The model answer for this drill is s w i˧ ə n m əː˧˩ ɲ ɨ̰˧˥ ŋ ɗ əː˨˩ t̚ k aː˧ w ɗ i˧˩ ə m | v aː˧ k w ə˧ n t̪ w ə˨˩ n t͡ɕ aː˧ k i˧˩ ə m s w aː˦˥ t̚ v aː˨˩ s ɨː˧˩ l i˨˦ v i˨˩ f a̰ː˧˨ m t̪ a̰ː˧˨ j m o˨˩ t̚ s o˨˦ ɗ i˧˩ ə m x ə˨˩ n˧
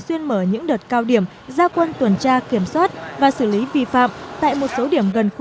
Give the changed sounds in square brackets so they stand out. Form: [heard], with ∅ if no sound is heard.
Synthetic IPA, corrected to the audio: s w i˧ ə n m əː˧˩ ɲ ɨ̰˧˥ ŋ ɗ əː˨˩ t̚ k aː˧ w ɗ i˧˩ ə m | [z] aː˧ k w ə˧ n t̪ w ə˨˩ n t͡ɕ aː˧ k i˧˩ ə m s w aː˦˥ t̚ v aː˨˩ s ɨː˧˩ l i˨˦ v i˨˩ f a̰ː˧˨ m t̪ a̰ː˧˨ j m o˨˩ t̚ s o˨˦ ɗ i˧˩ ə m [ɣ] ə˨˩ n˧